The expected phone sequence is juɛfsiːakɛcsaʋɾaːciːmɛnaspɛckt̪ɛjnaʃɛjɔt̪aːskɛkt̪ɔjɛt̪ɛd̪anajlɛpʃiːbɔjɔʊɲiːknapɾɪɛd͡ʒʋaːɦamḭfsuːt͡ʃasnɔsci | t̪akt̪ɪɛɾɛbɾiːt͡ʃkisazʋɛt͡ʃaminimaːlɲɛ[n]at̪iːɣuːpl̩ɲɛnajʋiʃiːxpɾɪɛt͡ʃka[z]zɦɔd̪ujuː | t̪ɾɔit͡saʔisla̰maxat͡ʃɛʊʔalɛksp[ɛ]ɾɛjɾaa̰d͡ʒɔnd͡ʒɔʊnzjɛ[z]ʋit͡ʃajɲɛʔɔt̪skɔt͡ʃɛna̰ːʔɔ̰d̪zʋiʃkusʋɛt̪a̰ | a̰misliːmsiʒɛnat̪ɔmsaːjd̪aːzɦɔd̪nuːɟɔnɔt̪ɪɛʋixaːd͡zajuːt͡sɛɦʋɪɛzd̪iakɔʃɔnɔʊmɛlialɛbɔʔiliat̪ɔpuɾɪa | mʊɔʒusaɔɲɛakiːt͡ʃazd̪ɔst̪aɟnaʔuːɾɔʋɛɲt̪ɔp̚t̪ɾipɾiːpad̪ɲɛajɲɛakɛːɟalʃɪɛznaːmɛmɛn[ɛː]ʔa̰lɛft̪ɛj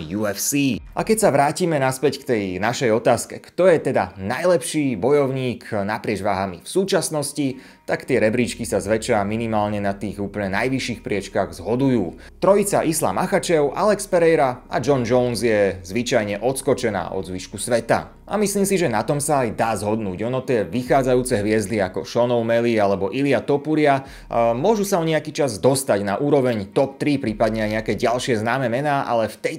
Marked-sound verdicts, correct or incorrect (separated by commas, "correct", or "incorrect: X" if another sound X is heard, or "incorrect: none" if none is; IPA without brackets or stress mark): correct, incorrect: ɣ, correct, correct, incorrect: aː